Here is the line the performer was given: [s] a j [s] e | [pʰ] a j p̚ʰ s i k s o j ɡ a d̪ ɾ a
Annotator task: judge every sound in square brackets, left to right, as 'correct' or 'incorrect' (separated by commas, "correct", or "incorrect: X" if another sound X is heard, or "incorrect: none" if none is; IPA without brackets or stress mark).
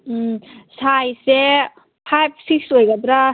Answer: correct, correct, correct